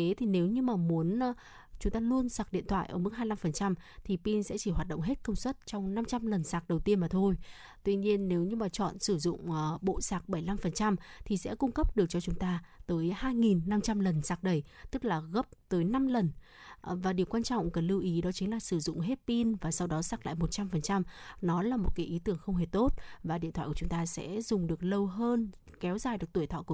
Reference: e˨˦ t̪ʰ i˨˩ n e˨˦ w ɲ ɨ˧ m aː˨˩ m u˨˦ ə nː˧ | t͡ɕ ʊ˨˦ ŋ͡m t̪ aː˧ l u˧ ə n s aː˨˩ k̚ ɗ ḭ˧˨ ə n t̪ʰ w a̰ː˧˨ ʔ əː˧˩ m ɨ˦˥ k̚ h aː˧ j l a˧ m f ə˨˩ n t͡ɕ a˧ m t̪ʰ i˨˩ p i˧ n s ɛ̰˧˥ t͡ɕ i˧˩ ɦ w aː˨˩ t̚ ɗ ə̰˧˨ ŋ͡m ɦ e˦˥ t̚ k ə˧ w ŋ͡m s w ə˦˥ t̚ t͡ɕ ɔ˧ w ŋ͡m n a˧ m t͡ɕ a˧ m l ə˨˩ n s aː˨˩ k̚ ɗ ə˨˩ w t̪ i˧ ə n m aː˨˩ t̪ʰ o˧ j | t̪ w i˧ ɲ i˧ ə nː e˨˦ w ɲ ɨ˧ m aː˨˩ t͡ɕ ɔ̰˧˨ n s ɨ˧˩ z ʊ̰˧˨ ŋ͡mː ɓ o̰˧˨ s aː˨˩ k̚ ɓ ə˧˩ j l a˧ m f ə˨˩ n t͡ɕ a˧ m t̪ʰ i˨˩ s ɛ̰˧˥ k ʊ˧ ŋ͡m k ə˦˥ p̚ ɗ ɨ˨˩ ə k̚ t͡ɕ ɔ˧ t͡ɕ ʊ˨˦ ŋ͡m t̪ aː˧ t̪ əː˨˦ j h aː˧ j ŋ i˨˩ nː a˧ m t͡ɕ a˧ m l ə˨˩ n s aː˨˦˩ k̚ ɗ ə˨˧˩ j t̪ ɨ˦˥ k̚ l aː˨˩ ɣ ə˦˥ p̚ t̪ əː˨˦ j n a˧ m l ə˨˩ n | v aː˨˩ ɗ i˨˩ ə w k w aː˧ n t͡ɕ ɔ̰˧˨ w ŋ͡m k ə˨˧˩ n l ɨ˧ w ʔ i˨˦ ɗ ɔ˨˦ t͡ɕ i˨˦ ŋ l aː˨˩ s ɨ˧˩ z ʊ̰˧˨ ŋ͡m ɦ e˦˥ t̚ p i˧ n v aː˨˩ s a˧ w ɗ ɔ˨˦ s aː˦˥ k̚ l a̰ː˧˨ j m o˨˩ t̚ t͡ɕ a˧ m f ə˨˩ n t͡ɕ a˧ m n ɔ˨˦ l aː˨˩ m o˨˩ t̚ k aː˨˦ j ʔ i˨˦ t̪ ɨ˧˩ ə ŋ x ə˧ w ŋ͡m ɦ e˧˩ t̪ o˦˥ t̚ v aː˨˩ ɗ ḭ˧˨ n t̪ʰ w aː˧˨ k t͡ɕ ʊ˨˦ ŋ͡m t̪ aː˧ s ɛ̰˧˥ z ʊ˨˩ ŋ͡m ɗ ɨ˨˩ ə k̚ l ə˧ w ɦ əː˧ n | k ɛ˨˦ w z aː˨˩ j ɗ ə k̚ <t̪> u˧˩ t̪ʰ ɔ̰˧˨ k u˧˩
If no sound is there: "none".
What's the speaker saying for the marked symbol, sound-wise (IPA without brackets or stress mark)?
t̪